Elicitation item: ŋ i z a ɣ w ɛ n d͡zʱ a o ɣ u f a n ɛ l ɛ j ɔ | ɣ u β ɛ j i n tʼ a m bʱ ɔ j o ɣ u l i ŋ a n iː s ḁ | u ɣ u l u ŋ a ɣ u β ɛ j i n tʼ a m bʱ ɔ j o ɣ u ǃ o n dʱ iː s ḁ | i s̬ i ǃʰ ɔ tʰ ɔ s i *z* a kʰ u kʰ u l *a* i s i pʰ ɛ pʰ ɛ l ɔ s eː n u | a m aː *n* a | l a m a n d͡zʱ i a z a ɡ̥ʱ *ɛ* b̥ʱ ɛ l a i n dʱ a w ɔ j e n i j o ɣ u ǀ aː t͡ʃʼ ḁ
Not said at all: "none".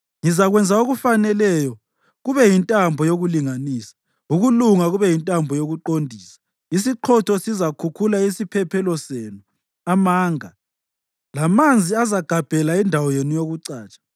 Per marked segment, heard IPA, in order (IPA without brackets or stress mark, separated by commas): z, a, ŋ, a